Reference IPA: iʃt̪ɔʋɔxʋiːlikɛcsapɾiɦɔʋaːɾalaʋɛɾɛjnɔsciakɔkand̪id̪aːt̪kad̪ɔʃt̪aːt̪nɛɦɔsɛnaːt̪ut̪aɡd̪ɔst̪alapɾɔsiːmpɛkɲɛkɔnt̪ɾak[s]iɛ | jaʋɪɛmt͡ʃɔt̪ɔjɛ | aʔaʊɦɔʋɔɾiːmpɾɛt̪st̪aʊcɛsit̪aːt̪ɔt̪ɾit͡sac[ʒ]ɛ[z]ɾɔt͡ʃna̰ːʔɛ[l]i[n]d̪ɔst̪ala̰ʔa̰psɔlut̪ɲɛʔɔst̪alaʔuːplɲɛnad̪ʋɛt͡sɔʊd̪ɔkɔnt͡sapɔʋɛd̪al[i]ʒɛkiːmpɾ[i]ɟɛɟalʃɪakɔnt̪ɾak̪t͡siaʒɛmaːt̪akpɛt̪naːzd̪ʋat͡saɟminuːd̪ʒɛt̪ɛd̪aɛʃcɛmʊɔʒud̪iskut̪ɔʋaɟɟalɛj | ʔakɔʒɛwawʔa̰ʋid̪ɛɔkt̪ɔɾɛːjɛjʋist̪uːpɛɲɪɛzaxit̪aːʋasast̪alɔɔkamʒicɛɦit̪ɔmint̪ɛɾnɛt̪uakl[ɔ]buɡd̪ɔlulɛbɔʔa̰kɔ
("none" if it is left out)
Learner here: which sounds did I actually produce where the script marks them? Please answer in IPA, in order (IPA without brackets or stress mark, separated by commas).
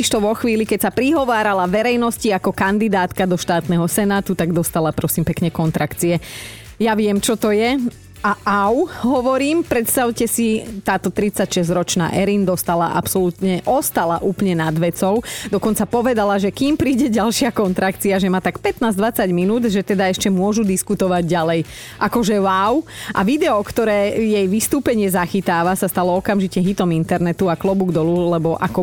t͡s, ʃ, z, ɾ, n, a, iː, ɔ